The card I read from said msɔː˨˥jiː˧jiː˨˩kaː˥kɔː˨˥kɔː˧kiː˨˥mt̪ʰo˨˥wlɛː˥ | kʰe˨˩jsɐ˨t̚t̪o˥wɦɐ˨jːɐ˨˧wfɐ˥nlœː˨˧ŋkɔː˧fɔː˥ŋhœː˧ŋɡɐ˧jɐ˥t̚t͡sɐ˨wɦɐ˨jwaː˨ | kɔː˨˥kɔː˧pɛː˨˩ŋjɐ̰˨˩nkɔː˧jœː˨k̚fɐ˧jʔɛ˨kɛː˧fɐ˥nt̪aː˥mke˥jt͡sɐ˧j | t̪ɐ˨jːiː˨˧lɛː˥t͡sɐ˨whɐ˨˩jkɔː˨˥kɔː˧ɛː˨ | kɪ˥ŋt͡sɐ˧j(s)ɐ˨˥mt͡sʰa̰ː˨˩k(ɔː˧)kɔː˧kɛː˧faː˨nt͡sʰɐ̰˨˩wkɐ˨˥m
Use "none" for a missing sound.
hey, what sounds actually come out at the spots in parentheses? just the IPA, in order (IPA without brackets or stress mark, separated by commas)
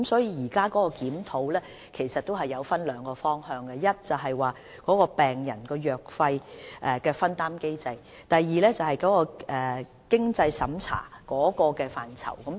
s, ɔː˨˥